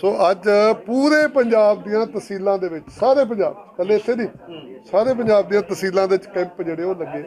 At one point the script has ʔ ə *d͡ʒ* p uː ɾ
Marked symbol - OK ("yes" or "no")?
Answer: yes